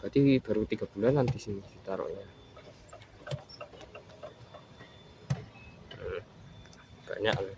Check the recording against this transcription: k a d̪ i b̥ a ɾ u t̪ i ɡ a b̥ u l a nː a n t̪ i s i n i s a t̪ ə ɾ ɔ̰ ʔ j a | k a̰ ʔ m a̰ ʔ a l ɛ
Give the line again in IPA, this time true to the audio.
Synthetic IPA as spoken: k a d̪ i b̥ a ɾ u t̪ i ɡ a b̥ u l a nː a n t̪ i s i n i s i t̪ a ɾ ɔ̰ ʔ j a | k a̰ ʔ ɲ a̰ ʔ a l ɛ